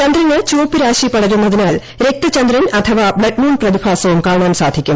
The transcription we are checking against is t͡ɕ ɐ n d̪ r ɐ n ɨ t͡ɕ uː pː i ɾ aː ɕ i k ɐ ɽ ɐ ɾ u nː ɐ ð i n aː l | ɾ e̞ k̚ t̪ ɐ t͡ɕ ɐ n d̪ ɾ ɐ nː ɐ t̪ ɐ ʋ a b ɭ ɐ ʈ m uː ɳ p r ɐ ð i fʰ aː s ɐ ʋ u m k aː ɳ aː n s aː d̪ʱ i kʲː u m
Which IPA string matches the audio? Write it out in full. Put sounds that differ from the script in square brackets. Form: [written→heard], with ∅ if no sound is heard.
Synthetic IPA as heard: t͡ɕ ɐ n d̪ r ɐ n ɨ t͡ɕ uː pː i ɾ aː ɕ i [k→p] ɐ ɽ ɐ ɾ u nː ɐ ð i n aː l | ɾ e̞ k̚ t̪ ɐ t͡ɕ ɐ n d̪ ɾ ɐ [nː→n] ɐ [t̪→t̪ʰ] ɐ ʋ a b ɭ ɐ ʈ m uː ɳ p r ɐ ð i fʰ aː s ɐ ʋ u m k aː ɳ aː n s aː d̪ʱ i kʲː u m